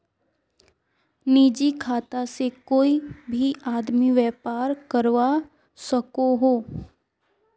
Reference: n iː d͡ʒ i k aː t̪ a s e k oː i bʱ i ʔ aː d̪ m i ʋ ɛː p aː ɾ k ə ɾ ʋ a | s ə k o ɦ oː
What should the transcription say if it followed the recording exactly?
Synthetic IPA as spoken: n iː d͡ʒ i kʰ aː t̪ a s e k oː i bʱ i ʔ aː d̪ m i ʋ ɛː p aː ɾ k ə ɾ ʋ a | s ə k o ɦ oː